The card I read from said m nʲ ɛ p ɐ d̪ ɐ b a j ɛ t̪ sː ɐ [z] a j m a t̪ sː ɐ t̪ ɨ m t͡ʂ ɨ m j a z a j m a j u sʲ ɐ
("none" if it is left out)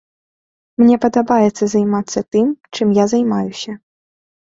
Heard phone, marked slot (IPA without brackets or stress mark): z